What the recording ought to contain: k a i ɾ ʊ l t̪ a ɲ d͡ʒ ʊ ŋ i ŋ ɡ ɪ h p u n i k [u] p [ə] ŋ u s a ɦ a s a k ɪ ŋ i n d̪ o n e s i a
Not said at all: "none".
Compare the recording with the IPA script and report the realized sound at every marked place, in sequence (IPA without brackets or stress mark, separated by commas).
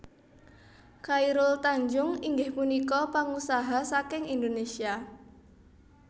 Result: ɔ, a